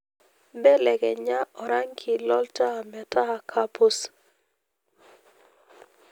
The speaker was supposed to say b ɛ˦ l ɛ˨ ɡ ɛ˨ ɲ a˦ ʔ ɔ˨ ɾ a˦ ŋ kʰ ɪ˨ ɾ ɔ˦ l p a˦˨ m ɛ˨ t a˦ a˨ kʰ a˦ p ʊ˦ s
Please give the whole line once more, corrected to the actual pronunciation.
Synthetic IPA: b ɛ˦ l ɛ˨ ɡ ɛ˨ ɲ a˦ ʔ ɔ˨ ɾ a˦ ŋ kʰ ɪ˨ l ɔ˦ l t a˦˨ m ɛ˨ t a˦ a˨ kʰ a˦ p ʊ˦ s